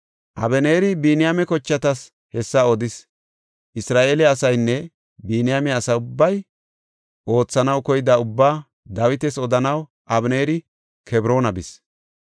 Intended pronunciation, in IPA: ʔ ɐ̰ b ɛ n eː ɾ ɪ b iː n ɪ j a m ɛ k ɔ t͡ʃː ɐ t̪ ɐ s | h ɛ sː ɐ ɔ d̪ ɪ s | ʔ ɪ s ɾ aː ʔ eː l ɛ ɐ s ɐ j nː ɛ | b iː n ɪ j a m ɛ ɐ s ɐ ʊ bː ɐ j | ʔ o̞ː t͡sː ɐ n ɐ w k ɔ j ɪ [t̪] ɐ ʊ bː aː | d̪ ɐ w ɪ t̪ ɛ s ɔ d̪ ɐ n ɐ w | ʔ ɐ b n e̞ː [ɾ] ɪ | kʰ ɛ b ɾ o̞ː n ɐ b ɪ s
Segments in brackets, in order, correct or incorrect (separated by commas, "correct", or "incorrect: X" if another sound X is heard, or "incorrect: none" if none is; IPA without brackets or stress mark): incorrect: d̪, correct